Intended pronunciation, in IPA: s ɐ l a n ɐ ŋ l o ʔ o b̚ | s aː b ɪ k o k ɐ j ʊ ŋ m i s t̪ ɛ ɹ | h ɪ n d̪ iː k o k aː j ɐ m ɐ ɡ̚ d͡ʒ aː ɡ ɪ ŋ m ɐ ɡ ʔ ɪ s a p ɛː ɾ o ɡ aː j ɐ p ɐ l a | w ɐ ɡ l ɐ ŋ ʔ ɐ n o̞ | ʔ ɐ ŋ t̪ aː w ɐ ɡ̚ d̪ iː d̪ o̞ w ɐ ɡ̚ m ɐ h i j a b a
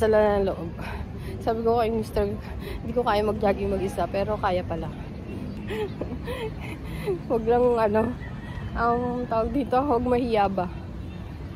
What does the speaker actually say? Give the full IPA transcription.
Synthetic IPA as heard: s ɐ l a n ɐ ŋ l o ʔ o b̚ | s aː b ɪ k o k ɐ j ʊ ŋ m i s t̪ ɛ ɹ | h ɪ n d̪ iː k o k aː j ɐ m ɐ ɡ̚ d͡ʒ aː ɡ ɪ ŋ m ɐ ɡ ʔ ɪ s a p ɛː ɾ o k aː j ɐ p ɐ l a | w ɐ ɡ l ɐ ŋ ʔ ɐ n o̞ | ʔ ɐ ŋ t̪ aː w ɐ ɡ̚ d̪ iː t̪ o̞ w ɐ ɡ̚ m ɐ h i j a b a